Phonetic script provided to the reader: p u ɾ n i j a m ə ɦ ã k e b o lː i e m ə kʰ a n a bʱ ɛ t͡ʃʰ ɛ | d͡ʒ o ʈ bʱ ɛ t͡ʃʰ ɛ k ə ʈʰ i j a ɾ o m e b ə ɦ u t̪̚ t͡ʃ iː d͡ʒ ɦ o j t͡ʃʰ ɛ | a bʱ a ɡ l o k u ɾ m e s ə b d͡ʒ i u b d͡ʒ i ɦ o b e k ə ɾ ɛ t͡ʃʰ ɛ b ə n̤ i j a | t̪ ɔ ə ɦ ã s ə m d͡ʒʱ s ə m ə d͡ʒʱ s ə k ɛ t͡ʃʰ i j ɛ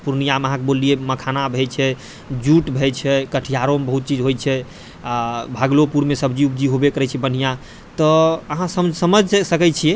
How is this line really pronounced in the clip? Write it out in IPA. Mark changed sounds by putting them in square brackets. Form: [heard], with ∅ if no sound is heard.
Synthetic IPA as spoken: p u ɾ n i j a m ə ɦ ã k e b o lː i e m ə kʰ a n a bʱ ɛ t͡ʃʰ ɛ | d͡ʒ [u] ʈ bʱ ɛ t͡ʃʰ ɛ k ə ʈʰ i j a ɾ o m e b ə ɦ u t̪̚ t͡ʃ [i] d͡ʒ ɦ o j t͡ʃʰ ɛ | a bʱ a ɡ l o [p] u ɾ m e s ə b d͡ʒ i u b d͡ʒ i ɦ o b e k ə ɾ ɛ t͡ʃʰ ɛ b ə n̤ i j a | t̪ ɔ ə ɦ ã s ə m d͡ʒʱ s ə m ə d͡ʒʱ s ə k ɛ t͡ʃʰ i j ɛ